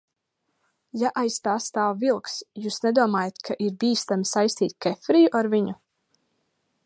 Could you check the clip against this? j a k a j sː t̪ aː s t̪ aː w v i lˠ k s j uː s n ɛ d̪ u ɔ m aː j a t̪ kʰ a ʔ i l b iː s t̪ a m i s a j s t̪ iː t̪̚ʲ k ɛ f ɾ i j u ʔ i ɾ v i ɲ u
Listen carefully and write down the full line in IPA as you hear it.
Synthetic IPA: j a ʔ a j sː t̪ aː s t̪ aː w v i lˠ k s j uː s n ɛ d̪ u ɔ m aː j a t̪ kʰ a ʔ i ɾ b iː s t̪ a m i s a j s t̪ iː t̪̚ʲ k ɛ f ɾ i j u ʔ a ɾ v i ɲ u